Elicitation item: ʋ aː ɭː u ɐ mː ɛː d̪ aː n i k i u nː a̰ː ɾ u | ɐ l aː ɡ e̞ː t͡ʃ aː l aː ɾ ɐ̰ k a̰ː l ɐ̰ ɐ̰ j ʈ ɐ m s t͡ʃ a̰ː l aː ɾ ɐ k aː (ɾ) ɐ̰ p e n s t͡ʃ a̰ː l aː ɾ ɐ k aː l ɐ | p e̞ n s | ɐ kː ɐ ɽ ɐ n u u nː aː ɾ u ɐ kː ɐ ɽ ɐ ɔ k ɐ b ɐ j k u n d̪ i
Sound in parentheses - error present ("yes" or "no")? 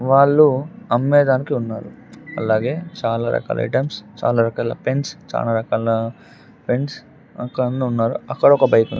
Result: yes